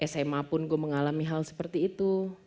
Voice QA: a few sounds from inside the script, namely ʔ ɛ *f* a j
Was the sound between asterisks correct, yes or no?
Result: no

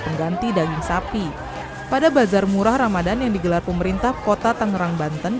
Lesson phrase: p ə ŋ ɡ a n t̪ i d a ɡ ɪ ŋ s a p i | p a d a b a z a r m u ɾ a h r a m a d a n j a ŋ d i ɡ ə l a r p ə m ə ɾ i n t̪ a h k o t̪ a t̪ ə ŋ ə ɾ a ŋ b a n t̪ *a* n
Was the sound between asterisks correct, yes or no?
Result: no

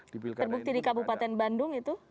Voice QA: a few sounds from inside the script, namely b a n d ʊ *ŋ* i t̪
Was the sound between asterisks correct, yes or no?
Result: yes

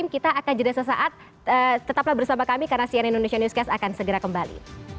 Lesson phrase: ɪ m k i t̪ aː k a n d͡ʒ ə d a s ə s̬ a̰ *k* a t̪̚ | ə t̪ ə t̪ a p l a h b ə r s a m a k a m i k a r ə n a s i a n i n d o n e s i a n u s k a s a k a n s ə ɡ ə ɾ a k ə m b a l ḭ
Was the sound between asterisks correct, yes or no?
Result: no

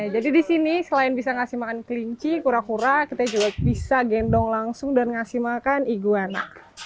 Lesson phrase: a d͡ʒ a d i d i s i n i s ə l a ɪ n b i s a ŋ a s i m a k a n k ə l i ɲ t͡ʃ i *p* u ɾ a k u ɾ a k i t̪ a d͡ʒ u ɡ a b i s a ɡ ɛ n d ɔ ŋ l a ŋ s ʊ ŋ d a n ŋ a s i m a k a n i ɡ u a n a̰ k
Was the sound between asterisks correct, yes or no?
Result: no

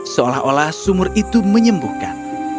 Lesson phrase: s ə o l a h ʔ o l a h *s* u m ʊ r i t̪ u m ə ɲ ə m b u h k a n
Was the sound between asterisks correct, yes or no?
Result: yes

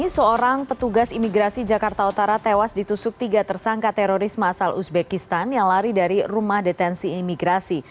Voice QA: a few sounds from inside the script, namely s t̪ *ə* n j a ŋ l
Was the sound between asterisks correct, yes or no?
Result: no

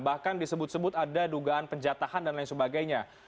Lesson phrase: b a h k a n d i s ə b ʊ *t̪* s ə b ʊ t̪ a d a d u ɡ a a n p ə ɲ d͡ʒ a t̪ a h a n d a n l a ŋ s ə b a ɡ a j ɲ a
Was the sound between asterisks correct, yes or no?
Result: yes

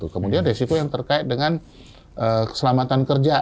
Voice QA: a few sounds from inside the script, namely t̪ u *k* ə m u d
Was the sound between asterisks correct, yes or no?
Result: yes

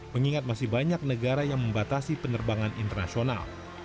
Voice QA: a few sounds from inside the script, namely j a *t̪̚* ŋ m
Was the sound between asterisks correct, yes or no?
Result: no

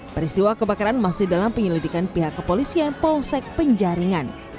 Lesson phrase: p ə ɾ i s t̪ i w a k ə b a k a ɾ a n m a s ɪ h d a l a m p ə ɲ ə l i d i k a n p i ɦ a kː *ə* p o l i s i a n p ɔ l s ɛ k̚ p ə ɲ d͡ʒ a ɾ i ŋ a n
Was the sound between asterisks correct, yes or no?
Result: yes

